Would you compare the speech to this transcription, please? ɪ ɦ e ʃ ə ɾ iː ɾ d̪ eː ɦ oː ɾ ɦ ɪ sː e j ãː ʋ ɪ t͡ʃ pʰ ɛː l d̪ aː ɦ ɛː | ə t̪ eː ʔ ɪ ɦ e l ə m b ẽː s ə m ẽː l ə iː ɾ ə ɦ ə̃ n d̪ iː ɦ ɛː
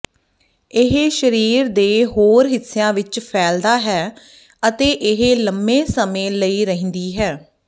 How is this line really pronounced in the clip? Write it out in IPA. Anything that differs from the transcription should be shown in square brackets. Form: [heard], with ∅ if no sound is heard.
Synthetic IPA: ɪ ɦ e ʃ ə ɾ iː ɾ d̪ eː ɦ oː ɾ ɦ ɪ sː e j ãː ʋ ɪ t͡ʃ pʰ ɛː l d̪ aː ɦ ɛː | ə t̪ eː ʔ ɪ ɦ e l ə m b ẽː s ə m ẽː l ə iː ɾ ə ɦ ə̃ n d̪ iː ɦ ɛː

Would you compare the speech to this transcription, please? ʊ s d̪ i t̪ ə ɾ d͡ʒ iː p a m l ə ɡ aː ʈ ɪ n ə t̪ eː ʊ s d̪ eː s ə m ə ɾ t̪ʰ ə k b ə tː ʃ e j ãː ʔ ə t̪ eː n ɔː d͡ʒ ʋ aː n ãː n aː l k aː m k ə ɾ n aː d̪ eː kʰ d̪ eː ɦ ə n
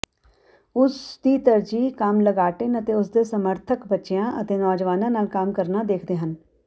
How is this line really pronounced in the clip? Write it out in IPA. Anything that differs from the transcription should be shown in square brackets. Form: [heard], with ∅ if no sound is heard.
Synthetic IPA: ʊ s d̪ [iː] t̪ ə ɾ d͡ʒ iː [k] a m l ə ɡ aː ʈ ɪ n ə t̪ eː ʊ s d̪ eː s ə m ə ɾ t̪ʰ ə k b ə tː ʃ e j ãː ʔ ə t̪ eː n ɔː d͡ʒ ʋ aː n ãː n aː l k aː m k ə ɾ n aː d̪ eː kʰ d̪ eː ɦ ə n

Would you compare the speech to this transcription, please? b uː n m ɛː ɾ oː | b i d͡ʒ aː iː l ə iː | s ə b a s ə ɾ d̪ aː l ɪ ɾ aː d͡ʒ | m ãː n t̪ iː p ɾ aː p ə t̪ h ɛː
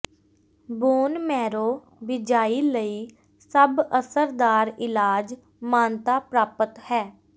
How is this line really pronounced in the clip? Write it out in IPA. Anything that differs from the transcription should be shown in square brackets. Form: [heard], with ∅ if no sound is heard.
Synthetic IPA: b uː n m ɛː ɾ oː | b [ɪ] d͡ʒ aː iː l ə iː | s ə b [ə] s ə ɾ d̪ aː [ɾ] ɪ [l] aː d͡ʒ | m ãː n t̪ [aː] p ɾ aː p ə t̪ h ɛː

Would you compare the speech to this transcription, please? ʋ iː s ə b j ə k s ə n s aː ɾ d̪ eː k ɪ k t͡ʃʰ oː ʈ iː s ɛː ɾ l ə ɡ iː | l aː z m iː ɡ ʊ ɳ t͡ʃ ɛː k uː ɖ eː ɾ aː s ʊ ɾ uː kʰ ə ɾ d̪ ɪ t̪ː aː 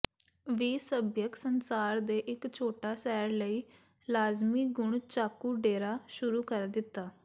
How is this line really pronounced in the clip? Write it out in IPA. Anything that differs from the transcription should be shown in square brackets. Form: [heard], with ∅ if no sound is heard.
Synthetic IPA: ʋ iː s ə b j ə k s ə n s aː ɾ d̪ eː [ʔ] ɪ k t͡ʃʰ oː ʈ [aː] s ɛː ɾ l ə [∅] iː | l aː z m iː ɡ ʊ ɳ t͡ʃ [aː] k uː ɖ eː ɾ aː [ʃ] ʊ ɾ uː [k] ə ɾ d̪ ɪ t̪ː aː

